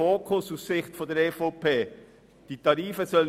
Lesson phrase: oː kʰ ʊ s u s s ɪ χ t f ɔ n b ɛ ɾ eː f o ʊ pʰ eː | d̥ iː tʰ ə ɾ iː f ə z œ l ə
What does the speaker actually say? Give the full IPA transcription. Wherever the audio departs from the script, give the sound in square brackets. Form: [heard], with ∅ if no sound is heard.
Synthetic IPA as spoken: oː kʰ ʊ s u s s ɪ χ t f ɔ n [d] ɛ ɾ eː f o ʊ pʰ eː | d̥ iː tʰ [ɑ] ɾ iː f ə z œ l ə